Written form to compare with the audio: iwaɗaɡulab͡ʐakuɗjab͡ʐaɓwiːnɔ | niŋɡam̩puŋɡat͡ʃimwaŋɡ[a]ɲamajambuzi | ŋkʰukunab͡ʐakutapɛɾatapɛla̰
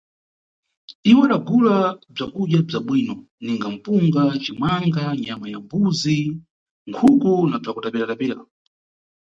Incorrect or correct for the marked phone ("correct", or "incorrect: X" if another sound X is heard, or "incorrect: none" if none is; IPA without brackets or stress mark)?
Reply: correct